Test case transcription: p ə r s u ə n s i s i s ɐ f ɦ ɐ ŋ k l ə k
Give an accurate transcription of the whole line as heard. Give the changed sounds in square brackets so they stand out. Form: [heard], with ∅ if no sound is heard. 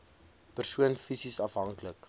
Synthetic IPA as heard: p ə r s u ə n [f] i s i s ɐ f ɦ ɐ ŋ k l ə k